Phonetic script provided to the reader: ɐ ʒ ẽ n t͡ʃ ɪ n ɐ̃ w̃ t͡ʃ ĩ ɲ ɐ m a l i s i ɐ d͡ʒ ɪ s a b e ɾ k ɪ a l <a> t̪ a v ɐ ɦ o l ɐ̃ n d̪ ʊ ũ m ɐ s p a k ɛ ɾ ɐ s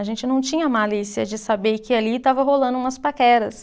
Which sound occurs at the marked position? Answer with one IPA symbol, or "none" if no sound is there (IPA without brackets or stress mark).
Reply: i